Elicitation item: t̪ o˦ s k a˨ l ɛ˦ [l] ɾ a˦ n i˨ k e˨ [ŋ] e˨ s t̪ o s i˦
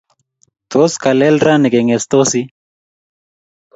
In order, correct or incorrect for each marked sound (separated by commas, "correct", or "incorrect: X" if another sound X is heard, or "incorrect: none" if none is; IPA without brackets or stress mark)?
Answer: correct, correct